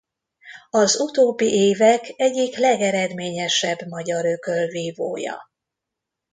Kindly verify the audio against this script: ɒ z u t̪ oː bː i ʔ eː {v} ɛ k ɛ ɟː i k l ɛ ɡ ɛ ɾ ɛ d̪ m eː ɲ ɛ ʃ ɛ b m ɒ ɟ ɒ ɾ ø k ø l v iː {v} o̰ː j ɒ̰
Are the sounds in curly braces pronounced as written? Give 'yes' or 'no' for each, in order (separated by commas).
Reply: yes, yes